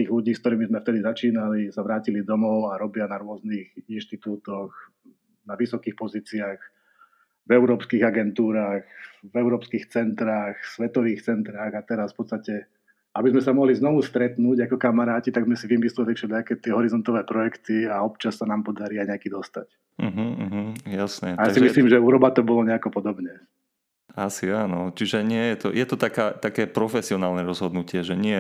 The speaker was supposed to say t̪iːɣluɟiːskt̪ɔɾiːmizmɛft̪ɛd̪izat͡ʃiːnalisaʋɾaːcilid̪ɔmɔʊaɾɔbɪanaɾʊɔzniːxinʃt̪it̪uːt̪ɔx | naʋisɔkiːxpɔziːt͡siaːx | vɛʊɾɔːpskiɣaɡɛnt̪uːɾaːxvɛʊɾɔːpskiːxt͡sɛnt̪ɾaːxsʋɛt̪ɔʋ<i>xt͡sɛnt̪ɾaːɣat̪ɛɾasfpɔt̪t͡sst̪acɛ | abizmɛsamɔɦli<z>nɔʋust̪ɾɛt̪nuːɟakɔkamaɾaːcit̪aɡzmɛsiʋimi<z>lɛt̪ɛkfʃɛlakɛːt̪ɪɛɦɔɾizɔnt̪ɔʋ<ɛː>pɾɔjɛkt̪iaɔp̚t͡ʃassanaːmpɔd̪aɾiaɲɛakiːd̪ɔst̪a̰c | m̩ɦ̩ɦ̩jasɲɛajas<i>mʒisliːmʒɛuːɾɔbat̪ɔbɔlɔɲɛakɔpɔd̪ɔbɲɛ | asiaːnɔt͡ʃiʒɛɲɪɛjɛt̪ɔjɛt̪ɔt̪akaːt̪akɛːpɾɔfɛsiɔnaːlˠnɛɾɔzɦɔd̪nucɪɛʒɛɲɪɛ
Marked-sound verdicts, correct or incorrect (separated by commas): incorrect, correct, incorrect, correct, correct